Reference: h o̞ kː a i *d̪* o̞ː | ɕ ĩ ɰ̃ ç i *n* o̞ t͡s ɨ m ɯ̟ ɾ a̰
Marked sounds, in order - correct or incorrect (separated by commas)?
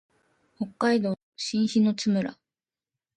correct, correct